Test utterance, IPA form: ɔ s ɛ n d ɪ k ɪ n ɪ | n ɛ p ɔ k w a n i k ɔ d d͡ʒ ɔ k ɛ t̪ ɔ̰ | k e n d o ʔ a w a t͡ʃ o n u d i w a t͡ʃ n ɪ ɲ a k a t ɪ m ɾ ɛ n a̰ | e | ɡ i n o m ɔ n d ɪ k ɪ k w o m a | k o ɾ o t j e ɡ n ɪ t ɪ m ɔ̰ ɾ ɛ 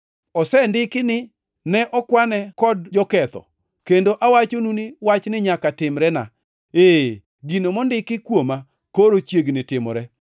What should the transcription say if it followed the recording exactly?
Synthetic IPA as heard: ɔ s ɛ n d ɪ k ɪ n ɪ | n ɛ ʔ ɔ k w a n ɛ k ɔ d d͡ʒ ɔ k ɛ t̪ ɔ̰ | k e n d o ʔ a w a t͡ʃ o n u n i w a t͡ʃ n ɪ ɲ a k a t ɪ m ɾ ɛ n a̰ | e | ɡ i n o m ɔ n d ɪ k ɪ k w o m a | k o ɾ o t͡ʃ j e ɡ n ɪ t ɪ m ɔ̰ ɾ ɛ